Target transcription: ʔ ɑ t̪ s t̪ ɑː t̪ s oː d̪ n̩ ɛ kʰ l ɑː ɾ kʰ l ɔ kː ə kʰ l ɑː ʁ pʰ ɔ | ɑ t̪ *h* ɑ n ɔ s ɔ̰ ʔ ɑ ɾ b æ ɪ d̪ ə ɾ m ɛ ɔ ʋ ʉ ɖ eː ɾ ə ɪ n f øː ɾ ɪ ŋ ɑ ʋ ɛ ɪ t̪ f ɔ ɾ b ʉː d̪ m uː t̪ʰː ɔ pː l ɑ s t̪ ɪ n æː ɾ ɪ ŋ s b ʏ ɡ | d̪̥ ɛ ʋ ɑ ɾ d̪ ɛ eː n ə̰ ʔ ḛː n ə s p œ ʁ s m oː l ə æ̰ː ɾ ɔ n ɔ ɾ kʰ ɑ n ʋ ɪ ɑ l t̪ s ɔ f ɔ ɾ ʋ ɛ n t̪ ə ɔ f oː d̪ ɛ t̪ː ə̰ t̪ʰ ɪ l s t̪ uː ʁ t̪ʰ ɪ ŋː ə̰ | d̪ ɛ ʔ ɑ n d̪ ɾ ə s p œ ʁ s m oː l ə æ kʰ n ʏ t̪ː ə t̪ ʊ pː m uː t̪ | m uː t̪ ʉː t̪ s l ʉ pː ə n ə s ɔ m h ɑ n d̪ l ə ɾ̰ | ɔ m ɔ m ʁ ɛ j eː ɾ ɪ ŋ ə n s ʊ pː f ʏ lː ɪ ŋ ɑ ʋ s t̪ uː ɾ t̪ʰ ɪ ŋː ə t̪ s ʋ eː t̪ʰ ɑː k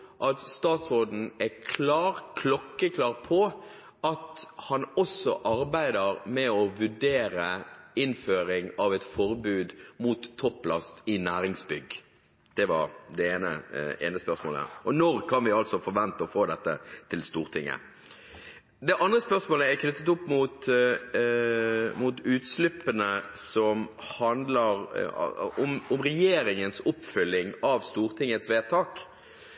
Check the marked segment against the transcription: correct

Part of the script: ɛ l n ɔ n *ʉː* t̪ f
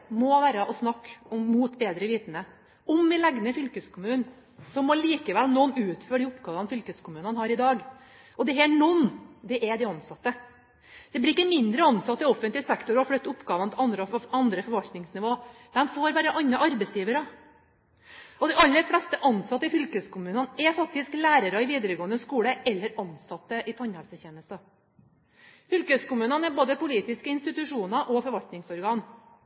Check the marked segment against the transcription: correct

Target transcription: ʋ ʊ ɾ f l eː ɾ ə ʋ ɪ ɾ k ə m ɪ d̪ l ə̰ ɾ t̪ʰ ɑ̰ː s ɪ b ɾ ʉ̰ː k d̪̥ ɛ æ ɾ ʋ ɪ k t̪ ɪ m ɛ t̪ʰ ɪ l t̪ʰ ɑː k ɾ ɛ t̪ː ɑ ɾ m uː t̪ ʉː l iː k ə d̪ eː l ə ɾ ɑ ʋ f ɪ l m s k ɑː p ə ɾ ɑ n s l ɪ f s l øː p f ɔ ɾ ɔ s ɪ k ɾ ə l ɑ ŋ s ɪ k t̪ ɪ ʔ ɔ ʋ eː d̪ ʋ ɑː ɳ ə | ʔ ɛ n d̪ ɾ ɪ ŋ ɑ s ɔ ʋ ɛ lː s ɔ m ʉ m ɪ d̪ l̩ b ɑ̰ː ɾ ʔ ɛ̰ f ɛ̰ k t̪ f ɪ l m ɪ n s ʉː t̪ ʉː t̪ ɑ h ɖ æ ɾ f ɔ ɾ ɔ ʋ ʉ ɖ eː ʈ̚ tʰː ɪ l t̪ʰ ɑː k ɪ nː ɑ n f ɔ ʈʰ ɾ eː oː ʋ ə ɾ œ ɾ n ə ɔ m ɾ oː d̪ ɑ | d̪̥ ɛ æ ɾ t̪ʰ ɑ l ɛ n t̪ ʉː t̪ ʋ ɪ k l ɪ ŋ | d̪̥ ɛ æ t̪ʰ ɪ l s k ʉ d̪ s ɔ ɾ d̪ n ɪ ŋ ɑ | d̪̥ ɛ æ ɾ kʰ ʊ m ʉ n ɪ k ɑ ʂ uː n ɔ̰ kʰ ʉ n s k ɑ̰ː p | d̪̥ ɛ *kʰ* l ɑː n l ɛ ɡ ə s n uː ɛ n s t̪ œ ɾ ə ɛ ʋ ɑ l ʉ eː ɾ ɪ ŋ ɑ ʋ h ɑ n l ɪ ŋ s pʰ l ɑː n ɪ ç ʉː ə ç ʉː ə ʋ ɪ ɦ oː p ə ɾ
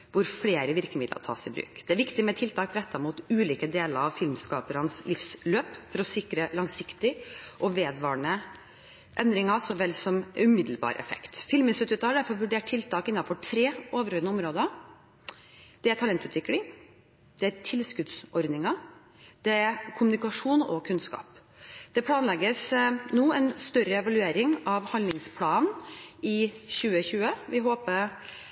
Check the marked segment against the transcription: incorrect: pʰ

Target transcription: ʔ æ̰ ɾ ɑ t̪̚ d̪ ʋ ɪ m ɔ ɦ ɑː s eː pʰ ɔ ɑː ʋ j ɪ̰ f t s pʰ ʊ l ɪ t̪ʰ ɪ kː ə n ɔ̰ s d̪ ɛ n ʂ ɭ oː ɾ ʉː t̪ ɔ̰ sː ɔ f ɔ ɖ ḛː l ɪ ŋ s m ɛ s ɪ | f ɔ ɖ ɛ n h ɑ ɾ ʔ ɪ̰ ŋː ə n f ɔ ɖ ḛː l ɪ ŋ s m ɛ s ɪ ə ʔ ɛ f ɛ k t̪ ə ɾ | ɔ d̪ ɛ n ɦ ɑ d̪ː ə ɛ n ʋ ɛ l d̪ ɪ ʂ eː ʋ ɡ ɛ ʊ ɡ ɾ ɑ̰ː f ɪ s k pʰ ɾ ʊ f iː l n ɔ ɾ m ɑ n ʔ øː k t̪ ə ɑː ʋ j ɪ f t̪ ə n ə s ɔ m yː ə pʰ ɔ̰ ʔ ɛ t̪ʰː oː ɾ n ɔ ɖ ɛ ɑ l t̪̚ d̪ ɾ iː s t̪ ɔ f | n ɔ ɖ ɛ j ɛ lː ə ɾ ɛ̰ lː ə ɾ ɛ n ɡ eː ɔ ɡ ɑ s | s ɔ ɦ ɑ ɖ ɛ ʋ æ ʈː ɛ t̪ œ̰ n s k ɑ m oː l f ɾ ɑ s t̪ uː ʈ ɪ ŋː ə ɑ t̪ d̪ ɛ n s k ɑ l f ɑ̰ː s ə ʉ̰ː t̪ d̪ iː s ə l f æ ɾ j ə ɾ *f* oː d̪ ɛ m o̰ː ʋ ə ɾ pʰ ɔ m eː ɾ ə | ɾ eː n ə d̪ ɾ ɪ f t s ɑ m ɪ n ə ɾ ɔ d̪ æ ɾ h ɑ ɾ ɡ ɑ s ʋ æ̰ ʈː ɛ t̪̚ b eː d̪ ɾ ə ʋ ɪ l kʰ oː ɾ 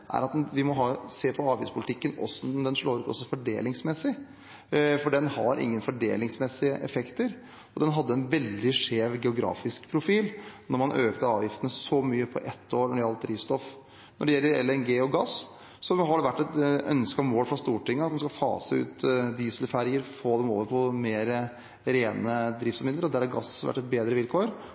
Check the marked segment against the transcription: correct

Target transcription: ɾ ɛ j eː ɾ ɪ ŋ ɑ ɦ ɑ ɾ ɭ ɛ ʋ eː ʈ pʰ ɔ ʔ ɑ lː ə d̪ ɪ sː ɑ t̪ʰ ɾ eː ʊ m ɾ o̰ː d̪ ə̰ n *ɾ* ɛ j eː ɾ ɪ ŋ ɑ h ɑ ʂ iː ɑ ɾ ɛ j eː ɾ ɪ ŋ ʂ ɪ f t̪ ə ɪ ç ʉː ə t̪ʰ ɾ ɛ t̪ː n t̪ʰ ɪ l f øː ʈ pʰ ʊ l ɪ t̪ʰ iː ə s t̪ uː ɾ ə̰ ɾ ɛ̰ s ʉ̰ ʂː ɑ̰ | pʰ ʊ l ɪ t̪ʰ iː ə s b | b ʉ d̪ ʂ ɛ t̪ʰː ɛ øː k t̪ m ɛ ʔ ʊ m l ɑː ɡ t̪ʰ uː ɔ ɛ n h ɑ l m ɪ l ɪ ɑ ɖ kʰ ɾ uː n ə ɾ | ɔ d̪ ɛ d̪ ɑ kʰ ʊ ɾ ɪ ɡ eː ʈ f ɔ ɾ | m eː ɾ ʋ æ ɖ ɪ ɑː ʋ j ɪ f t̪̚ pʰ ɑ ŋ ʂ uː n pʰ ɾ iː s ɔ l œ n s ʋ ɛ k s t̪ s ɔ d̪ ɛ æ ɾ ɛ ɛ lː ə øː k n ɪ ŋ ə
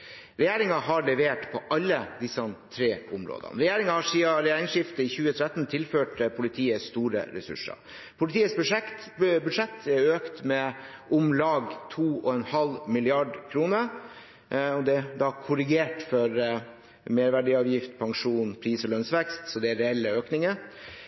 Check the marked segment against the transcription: correct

